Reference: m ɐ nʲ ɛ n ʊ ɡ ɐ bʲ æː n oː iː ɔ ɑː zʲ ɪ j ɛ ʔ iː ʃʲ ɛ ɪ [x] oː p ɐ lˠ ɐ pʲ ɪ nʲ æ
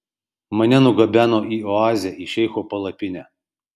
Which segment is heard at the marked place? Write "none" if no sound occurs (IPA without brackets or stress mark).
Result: x